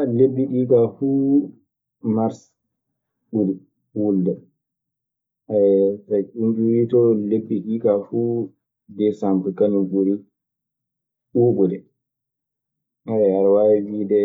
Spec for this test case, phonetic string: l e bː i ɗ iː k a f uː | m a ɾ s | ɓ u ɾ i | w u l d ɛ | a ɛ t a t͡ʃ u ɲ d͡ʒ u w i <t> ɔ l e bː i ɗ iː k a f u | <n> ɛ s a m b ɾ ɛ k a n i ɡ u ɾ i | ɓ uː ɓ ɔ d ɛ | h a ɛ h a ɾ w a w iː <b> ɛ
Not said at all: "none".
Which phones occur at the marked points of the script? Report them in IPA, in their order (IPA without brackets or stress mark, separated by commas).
t, d, d